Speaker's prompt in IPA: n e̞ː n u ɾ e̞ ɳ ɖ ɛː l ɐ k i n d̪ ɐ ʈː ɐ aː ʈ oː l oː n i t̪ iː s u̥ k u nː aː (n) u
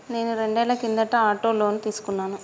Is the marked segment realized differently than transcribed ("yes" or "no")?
no